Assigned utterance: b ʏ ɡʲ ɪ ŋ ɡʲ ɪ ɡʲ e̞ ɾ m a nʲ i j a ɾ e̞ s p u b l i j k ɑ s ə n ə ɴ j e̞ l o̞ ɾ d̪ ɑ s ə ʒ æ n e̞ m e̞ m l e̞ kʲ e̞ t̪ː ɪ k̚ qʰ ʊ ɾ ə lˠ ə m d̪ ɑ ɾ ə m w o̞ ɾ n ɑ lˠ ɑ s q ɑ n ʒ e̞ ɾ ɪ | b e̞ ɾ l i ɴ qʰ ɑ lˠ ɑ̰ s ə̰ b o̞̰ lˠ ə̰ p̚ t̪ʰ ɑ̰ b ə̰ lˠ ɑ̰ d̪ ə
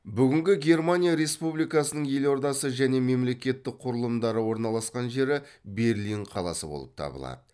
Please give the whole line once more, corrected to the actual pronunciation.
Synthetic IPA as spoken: b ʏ ɡʲ ɪ ŋ ɡʲ ɪ ɡʲ e̞ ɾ m a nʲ i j a ɾ e̞ s p u b l i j k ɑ s ə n ə ɴ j e̞ l o̞ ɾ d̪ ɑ s ə ʒ æ n e̞ m e̞ m l e̞ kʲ e̞ t̪ː ɪ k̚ qʰ ʊ ɾ ə lˠ ə m d̪ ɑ ɾ ə w o̞ ɾ n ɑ lˠ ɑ s q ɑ n ʒ e̞ ɾ ɪ | b e̞ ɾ l i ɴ qʰ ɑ lˠ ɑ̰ s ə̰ b o̞̰ lˠ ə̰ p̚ t̪ʰ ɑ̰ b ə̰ lˠ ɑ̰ d̪ ə